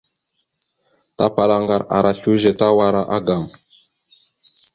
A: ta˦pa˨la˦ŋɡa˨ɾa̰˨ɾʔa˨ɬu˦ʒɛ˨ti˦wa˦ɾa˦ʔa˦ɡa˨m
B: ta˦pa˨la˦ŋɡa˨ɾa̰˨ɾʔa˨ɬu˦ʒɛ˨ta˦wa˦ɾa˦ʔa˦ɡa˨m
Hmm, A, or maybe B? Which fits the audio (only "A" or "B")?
B